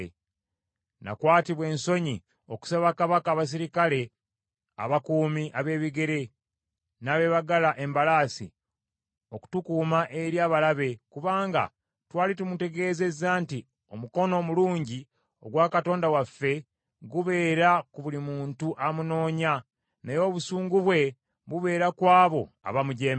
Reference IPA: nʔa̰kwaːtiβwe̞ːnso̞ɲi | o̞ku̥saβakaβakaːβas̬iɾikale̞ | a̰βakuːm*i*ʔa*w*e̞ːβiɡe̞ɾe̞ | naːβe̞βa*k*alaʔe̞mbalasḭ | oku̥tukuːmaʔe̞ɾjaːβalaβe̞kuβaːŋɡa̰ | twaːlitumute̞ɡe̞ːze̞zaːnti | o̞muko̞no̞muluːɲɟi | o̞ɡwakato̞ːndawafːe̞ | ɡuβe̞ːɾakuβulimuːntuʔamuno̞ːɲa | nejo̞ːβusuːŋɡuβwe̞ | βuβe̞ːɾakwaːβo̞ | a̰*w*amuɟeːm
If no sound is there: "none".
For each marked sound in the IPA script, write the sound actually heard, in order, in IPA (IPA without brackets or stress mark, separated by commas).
i, β, ɡ, β